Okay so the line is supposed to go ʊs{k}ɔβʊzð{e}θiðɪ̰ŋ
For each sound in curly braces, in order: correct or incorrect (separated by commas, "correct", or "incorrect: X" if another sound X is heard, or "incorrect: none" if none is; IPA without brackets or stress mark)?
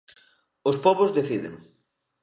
incorrect: p, correct